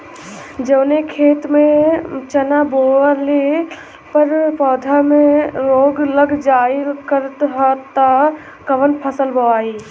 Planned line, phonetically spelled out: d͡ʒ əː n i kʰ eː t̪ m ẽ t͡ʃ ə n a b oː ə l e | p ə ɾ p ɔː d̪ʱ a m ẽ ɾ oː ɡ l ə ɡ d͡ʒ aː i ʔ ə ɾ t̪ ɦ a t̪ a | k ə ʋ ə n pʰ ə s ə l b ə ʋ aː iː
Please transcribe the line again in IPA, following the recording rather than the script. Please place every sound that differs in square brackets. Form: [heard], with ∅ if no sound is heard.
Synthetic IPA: d͡ʒ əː n [e] kʰ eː t̪ m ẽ t͡ʃ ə n a b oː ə l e | p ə ɾ p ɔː d̪ʱ a m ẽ ɾ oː ɡ l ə ɡ d͡ʒ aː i [k] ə ɾ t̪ ɦ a t̪ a | k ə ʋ ə n pʰ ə s ə l b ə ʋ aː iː